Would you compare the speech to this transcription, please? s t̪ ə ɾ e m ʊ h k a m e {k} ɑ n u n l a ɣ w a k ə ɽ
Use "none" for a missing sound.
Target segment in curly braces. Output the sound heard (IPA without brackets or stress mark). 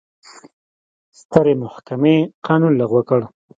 q